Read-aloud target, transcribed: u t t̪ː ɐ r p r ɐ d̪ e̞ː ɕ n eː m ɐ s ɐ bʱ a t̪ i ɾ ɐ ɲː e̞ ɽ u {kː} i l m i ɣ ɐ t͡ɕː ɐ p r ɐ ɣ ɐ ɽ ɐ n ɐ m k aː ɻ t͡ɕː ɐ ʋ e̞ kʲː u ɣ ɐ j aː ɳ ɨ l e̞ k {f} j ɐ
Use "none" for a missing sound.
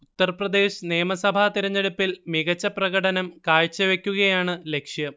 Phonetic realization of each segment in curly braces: pː, ʂ

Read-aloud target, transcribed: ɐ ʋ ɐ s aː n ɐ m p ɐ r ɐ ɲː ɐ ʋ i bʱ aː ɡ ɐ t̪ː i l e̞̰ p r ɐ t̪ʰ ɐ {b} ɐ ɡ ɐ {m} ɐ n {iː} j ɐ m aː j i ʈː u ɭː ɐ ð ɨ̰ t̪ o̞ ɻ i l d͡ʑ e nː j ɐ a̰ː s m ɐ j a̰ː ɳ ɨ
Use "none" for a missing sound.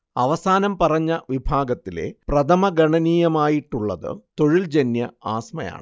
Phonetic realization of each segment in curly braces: m, ɳ, iː

